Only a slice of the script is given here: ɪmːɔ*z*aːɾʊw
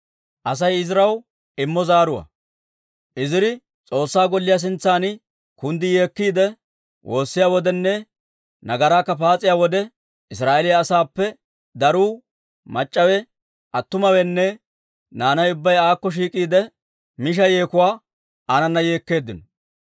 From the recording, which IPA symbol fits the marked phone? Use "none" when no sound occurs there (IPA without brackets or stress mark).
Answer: z